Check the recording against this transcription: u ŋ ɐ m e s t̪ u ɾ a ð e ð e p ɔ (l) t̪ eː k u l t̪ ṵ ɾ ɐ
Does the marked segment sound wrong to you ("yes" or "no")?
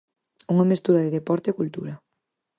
yes